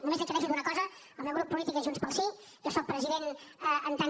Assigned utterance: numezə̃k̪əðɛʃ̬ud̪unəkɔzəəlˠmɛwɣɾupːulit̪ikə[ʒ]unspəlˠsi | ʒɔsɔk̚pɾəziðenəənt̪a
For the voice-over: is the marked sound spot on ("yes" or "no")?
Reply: yes